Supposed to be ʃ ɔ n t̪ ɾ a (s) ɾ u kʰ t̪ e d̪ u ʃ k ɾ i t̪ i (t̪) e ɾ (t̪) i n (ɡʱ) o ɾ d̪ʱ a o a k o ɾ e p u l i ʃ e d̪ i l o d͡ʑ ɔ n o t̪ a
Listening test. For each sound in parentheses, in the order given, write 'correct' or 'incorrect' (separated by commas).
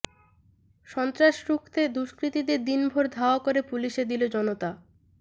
incorrect, incorrect, incorrect, incorrect